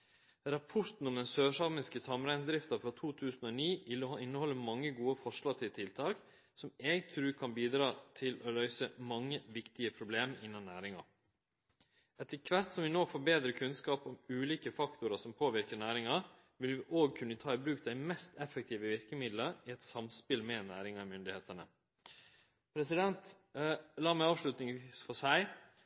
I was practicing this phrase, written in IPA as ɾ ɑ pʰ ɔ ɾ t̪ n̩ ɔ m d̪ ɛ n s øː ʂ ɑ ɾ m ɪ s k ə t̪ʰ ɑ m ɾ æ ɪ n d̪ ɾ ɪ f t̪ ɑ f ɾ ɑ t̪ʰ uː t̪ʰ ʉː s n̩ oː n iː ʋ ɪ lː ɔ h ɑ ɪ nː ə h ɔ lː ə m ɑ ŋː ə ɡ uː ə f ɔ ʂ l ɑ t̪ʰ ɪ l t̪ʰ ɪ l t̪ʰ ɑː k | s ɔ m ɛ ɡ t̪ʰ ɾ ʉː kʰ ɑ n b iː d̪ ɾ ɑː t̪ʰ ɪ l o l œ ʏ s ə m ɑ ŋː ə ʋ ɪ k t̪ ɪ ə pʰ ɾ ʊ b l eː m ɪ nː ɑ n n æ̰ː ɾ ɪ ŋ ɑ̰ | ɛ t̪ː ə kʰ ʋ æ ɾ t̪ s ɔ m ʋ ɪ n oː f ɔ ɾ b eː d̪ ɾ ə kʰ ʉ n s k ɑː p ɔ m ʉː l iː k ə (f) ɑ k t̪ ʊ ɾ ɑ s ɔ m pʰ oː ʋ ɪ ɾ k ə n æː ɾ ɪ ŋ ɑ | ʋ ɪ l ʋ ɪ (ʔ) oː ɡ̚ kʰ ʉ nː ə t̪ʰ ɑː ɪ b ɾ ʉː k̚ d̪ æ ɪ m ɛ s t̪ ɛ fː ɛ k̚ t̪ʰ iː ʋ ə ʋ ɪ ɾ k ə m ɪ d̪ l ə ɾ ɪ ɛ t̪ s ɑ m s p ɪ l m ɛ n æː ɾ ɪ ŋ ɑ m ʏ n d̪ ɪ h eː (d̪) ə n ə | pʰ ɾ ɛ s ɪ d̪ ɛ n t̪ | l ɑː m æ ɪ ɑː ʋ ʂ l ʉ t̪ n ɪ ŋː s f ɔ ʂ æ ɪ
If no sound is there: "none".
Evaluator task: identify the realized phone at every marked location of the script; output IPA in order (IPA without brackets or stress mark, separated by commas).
f, ʔ, t̪